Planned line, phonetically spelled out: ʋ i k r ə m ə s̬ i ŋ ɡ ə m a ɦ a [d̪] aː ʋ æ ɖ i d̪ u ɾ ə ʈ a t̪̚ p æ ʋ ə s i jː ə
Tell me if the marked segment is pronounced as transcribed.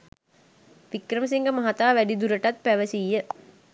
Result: no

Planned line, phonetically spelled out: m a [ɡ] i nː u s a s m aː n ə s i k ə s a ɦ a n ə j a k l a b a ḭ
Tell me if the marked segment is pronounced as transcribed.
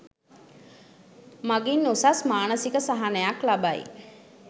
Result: yes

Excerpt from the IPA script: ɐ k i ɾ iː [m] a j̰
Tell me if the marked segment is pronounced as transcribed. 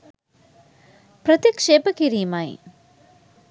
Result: yes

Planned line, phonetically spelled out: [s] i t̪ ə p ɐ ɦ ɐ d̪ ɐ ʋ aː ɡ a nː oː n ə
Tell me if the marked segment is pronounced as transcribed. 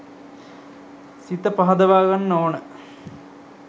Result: yes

